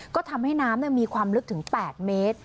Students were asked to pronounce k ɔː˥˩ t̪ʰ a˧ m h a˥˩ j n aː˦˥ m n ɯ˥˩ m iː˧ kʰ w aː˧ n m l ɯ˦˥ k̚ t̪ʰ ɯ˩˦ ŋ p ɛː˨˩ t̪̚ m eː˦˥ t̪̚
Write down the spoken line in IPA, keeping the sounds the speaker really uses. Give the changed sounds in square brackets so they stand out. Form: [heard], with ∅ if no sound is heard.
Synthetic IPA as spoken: k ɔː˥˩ t̪ʰ a˧ m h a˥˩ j n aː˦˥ m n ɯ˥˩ m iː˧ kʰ w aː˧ [∅] m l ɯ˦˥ k̚ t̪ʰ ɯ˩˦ ŋ p ɛː˨˩ t̪̚ m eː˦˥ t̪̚

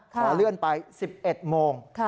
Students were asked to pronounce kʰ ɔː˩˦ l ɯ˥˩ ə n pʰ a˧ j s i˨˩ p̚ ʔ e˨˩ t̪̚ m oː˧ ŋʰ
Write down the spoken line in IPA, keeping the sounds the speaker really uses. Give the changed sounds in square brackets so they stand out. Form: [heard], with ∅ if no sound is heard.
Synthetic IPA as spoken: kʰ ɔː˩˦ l ɯ˥˩ ə n [p] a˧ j s i˨˩ p̚ ʔ e˨˩ t̪̚ m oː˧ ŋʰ

